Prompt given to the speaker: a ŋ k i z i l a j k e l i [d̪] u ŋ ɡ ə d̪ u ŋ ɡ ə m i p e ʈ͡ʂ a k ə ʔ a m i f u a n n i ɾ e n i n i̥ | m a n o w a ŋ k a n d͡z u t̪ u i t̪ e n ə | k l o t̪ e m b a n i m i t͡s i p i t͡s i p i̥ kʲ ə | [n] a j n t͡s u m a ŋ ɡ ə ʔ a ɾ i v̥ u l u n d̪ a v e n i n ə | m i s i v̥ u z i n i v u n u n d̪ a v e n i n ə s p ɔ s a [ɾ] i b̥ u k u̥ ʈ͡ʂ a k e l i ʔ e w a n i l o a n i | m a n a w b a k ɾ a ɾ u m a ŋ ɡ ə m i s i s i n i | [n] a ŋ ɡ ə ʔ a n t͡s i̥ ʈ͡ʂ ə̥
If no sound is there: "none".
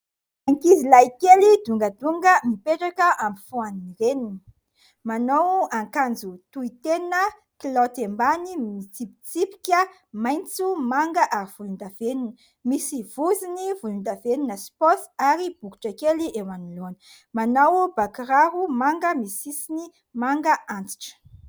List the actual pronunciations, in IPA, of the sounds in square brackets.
d̪, m, ɾ, m

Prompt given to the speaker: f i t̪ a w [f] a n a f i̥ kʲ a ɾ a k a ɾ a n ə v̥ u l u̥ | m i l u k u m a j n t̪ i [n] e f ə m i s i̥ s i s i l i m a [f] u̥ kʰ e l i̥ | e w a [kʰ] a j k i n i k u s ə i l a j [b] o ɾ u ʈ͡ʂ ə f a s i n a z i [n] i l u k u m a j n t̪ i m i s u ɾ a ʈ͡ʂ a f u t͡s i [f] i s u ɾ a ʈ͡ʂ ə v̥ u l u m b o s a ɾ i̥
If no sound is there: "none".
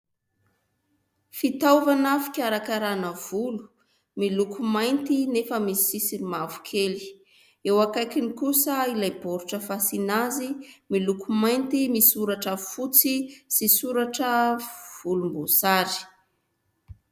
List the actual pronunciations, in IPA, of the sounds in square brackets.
v, n, v, k, b, m, s

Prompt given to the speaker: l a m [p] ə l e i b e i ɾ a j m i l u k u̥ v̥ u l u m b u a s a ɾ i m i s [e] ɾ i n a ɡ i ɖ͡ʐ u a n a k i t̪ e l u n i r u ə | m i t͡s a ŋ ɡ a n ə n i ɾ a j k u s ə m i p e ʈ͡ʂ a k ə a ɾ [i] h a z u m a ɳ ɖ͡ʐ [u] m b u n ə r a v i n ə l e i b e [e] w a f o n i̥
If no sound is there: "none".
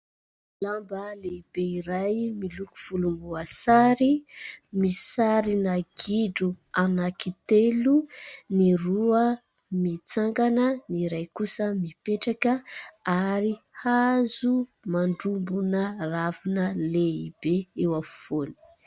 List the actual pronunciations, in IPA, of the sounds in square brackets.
b, a, i, u, e

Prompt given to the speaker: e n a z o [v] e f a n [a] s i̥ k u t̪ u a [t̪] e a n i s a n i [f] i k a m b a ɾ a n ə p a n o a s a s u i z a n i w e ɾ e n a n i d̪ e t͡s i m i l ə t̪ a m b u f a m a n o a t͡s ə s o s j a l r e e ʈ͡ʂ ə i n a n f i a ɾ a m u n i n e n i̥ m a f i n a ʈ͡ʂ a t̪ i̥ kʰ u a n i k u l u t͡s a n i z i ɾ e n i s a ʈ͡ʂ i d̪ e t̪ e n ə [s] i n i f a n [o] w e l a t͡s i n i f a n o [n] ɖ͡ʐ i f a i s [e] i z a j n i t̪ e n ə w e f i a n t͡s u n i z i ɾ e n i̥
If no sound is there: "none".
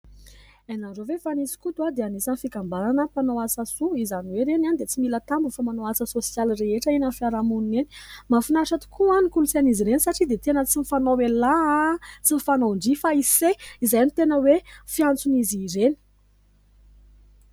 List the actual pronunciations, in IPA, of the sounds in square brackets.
v, i, d̪, f, t͡s, o, ɳ, e

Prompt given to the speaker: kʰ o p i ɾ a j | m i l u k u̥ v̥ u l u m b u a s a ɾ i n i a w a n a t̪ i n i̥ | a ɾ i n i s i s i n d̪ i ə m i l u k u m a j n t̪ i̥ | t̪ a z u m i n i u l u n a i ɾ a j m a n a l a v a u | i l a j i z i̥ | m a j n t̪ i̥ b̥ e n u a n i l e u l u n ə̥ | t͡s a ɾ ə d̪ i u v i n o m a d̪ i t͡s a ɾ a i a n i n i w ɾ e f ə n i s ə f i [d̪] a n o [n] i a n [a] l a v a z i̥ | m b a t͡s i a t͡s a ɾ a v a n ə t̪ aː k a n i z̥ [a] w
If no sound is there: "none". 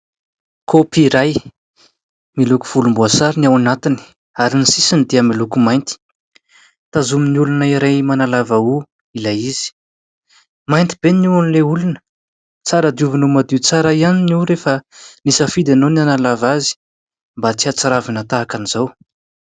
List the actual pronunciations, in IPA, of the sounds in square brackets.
d̪, n, a, a

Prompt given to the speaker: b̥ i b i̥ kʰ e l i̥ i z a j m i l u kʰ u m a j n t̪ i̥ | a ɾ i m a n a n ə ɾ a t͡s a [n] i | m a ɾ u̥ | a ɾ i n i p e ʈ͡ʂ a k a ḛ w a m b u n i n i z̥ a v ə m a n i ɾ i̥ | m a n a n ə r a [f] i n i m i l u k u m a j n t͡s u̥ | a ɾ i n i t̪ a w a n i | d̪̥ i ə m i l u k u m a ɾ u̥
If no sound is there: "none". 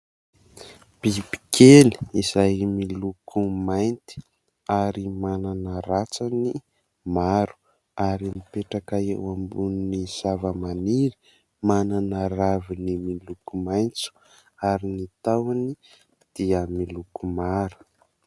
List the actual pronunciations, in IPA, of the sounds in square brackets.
n, v

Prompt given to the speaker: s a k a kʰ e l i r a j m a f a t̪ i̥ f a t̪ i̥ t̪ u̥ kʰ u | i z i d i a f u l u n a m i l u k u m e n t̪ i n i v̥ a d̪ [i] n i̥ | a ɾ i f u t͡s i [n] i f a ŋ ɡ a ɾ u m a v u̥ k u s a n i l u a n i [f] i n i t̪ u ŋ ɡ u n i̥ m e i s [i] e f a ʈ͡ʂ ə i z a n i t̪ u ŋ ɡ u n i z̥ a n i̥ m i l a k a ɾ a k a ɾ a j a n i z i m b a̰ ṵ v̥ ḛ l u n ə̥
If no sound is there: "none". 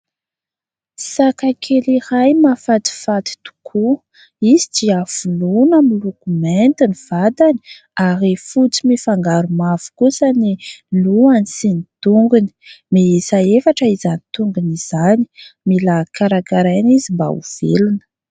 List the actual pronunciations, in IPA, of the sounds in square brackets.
a, m, s, a

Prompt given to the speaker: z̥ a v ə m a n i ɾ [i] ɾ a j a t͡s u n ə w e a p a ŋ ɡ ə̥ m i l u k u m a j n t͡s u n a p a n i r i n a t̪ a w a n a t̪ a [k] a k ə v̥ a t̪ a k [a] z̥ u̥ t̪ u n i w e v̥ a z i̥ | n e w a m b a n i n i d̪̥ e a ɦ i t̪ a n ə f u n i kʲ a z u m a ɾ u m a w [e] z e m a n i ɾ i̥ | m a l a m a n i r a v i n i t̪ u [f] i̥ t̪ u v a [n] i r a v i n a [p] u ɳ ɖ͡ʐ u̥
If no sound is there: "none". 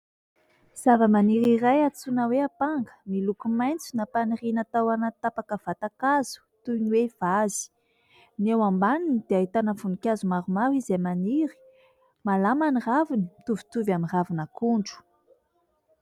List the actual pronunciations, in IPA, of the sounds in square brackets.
i, p, a, i, v, m, k

